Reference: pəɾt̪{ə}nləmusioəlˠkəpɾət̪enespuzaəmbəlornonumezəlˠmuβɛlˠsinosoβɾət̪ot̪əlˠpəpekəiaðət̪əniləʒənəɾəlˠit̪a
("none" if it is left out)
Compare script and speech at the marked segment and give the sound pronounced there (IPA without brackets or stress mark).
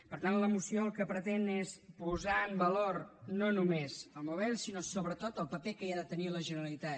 a